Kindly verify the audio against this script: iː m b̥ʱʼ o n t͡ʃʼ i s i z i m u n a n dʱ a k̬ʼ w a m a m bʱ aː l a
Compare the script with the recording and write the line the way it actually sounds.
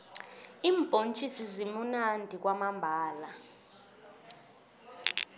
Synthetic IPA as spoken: iː m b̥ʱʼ o n t͡ʃʼ i s i z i m u n a n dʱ i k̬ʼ w a m a m bʱ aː l a